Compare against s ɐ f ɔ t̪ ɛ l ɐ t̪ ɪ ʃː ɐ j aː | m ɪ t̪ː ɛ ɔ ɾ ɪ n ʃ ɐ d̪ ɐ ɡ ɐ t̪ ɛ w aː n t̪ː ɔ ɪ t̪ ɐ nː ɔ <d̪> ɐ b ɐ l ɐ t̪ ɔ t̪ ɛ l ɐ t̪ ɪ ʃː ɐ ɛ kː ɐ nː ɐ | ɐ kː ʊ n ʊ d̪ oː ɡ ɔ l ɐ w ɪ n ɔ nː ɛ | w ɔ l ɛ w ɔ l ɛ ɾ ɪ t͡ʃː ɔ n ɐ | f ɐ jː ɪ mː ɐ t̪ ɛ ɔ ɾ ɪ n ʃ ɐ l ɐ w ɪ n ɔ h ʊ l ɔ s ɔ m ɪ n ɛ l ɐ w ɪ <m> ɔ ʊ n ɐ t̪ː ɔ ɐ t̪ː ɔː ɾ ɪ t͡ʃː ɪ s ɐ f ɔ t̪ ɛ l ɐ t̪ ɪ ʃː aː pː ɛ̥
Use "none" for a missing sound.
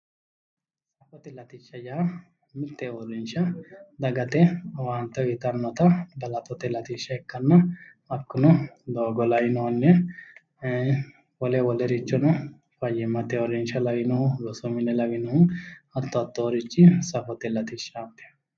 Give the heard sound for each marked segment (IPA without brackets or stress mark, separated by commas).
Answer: t̪, n